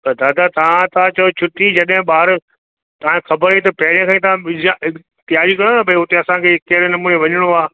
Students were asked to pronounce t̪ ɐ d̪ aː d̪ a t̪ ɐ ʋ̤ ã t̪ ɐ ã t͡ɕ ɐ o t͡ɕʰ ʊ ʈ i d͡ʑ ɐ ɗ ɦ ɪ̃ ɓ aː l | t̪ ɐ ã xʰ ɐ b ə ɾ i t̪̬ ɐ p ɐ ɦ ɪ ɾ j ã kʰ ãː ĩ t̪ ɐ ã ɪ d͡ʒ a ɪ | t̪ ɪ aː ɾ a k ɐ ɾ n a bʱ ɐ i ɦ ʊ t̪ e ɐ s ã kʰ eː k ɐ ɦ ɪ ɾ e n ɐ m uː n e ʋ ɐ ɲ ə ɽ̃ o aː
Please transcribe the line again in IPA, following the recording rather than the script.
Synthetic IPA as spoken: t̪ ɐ d̪ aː d̪ a t̪ ɐ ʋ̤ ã t̪ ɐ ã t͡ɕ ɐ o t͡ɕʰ ʊ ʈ i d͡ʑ ɐ ɗ ɦ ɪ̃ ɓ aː ɾ | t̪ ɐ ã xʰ ɐ b ə ɾ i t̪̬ ɐ p ɐ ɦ ɪ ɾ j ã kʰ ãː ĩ t̪ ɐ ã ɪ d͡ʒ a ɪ | t̪ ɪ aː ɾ i k ɐ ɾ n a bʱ ɐ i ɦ ʊ t̪ e ɐ s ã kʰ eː k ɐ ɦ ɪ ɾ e n ɐ m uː n e ʋ ɐ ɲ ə ɽ̃ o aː